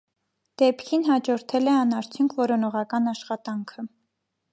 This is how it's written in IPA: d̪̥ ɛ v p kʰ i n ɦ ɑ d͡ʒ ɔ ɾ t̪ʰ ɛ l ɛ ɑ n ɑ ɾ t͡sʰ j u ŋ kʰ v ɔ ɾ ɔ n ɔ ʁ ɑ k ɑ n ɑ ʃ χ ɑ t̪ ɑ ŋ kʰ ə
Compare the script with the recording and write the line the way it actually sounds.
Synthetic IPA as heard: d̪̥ ɛ p kʰ i n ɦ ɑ d͡ʒ ɔ ɾ t̪ʰ ɛ l ɛ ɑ n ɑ ɾ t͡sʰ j u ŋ kʰ v ɔ ɾ ɔ n ɔ ʁ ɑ k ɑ n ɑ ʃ χ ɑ t̪ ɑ ŋ kʰ ə

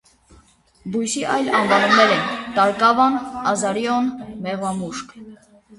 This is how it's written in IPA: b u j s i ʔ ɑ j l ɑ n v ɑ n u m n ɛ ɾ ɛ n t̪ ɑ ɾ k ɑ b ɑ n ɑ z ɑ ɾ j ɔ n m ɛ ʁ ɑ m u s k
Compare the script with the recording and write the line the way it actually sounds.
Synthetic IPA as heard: b u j s i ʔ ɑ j l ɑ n v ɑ n u m n ɛ ɾ ɛ n t̪ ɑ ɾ k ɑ v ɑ n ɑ z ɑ ɾ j ɔ n m ɛ ʁ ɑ m u ʃ k

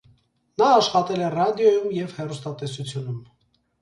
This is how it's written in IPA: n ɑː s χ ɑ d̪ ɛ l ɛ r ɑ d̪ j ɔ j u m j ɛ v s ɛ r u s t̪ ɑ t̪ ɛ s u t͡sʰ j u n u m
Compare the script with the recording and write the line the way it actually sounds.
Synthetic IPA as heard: n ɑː ʃ χ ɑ t̪ ɛ l ɛ r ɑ d̪ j ɔ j u m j ɛ v h ɛ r u s t̪ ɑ t̪ ɛ s u t͡sʰ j u n u m

